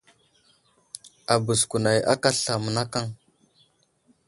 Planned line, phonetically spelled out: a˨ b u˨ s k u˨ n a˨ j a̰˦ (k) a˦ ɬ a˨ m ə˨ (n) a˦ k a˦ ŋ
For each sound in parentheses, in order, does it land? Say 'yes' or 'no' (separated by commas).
yes, yes